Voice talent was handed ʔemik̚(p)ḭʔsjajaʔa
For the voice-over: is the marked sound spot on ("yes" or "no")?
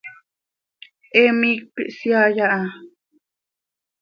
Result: yes